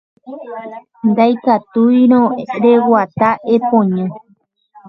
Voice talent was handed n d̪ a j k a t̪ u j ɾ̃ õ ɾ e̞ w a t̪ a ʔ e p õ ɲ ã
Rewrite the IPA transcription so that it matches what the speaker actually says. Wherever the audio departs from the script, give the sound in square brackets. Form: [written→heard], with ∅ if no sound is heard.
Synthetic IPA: n d̪ a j k a t̪ u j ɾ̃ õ ɾ e̞ w a t̪ a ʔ e p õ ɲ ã

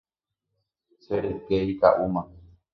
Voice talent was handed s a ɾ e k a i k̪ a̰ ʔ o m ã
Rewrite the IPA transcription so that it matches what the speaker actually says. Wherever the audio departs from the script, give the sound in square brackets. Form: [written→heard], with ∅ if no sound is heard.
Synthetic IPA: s [a→e] ɾ e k [a→e] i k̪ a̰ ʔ [o→u] m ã

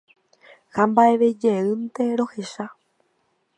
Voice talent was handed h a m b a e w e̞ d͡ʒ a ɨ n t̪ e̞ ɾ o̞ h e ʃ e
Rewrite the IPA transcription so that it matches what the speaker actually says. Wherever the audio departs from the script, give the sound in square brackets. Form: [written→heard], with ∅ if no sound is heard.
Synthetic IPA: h a m b a e [w→ʋ] e̞ d͡ʒ [a→e] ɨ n t̪ e̞ ɾ o̞ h e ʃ [e→a]

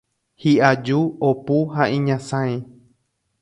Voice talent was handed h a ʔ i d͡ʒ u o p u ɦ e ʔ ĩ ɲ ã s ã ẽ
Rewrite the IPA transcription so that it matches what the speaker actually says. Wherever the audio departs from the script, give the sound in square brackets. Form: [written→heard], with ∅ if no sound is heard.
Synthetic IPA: h [a→i] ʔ [i→a] d͡ʒ u o p u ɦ [e→a] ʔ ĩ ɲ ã s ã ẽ

